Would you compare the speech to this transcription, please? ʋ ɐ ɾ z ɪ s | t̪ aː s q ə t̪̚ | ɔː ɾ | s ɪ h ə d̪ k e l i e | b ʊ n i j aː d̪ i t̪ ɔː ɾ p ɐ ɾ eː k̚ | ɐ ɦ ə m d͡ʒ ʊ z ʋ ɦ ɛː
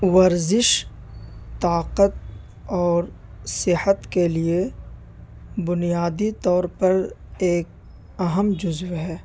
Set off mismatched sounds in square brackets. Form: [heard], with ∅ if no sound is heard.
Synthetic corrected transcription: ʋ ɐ ɾ z ɪ [ʃ] | t̪ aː [∅] q ə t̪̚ | ɔː ɾ | s ɪ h ə [t̪] k e l i e | b ʊ n i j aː d̪ i t̪ ɔː ɾ p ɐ ɾ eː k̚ | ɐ ɦ ə m d͡ʒ ʊ z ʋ ɦ ɛː